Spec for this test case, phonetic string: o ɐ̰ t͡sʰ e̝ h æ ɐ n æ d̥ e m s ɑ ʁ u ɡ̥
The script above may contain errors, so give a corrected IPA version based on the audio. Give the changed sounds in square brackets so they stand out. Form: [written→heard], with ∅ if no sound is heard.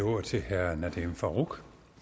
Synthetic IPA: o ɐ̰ t͡sʰ e̝ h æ ɐ n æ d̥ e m [s→f] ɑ ʁ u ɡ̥